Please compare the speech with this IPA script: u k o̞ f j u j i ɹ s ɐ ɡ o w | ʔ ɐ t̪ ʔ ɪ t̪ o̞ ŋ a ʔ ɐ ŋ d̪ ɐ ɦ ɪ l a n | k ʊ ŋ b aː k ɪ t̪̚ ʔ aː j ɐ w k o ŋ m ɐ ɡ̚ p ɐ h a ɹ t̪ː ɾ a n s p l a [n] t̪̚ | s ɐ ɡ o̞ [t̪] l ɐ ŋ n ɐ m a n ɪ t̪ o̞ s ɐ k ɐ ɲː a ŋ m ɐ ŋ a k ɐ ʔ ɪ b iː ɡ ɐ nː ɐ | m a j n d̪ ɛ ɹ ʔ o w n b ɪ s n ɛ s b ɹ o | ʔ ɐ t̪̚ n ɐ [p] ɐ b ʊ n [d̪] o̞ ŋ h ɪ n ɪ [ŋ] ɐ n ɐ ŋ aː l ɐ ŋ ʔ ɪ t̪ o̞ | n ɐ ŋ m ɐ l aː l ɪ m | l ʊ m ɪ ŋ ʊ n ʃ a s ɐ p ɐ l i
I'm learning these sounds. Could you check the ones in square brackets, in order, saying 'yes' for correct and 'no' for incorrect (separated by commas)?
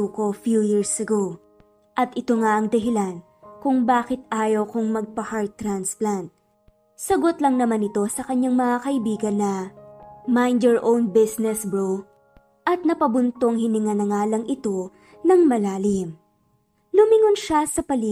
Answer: yes, yes, yes, no, yes